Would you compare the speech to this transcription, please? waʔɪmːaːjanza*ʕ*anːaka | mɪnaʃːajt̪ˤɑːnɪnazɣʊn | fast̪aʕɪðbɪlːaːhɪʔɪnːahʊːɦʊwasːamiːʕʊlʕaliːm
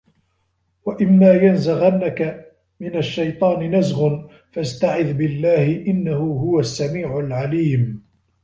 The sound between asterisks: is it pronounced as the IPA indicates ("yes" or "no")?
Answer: no